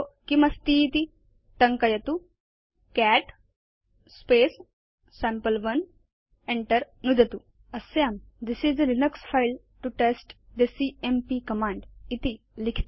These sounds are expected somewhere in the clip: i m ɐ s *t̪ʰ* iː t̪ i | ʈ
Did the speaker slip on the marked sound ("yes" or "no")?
yes